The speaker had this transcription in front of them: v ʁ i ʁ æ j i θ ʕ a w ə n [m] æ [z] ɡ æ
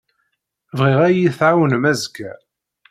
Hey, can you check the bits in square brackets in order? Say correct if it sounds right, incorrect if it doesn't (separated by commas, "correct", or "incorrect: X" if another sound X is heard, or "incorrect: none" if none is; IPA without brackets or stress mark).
correct, correct